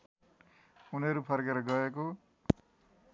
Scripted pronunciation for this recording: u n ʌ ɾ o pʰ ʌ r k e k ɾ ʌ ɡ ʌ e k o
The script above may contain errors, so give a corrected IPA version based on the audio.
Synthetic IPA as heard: u n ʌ ɾ u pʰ ʌ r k e ɾ ʌ ɡ ʌ e k o